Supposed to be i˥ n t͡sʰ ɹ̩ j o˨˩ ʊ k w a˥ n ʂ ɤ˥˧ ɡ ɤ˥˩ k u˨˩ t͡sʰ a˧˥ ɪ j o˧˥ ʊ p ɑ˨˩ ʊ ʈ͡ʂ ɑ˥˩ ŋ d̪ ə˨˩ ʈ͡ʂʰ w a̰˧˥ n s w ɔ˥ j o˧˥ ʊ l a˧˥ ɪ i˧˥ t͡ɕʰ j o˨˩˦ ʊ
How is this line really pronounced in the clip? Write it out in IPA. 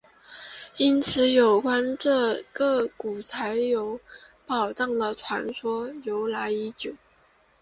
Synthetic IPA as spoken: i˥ n t͡sʰ ɹ̩ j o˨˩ ʊ k w a˥ n ʈ͡ʂ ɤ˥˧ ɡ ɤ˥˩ k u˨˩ t͡sʰ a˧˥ ɪ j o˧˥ ʊ p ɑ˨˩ ʊ ʈ͡ʂ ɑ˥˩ ŋ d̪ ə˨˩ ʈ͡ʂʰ w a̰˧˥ n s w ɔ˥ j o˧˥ ʊ l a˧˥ ɪ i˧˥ t͡ɕ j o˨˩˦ ʊ